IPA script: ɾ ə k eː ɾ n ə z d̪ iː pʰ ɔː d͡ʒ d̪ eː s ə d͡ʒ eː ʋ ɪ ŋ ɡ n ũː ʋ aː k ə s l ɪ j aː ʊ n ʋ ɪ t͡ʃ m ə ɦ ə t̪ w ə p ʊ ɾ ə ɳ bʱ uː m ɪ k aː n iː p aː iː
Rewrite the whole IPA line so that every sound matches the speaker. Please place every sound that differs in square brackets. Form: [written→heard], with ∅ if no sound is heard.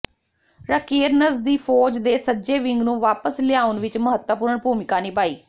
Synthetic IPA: ɾ ə k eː ɾ n ə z d̪ iː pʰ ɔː d͡ʒ d̪ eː s ə d͡ʒ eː ʋ ɪ ŋ ɡ n ũː ʋ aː [k→p] ə s l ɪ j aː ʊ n ʋ ɪ t͡ʃ m ə ɦ ə t̪ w ə p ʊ ɾ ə ɳ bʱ uː m ɪ k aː n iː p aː iː